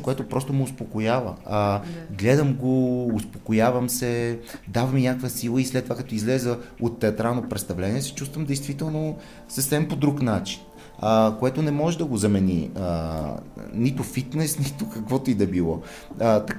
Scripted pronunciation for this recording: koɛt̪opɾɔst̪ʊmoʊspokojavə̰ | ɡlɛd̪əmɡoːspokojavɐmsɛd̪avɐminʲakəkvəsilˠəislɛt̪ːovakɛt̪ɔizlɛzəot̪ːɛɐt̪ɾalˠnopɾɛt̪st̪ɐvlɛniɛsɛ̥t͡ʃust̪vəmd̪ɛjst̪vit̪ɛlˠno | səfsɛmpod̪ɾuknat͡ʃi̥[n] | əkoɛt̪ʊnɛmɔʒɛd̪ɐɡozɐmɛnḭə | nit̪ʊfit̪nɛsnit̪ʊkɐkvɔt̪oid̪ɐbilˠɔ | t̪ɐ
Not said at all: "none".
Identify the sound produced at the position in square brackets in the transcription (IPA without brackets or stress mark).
n